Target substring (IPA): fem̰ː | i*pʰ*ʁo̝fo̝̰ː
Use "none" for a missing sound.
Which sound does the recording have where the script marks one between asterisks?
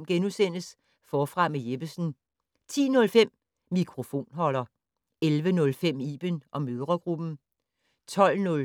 kʰ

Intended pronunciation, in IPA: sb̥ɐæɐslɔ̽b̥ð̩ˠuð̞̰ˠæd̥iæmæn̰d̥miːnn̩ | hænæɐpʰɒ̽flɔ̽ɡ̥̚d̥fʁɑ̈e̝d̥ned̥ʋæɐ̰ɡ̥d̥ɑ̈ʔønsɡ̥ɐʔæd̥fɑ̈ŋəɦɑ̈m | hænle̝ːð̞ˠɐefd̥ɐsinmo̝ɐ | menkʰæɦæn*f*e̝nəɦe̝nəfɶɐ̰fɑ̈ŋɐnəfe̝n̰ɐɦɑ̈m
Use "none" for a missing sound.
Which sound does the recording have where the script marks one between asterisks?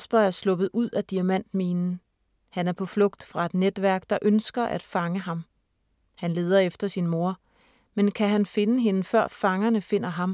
f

